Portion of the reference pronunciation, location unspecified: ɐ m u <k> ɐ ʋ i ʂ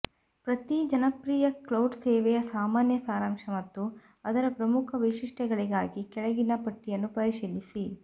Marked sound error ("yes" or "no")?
yes